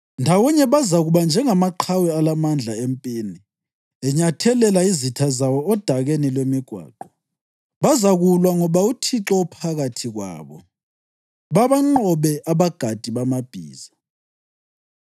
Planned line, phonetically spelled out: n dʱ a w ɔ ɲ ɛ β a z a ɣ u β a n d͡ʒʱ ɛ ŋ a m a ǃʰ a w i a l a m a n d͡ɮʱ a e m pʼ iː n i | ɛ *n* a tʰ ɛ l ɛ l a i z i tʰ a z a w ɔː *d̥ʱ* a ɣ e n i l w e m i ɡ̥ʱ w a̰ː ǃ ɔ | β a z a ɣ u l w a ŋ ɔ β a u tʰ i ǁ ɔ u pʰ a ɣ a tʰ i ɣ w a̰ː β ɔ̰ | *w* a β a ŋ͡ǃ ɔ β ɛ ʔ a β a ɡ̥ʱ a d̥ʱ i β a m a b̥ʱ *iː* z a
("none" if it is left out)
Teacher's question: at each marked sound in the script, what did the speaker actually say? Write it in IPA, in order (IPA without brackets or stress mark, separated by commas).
ɲ, d̥ʱ, β, iː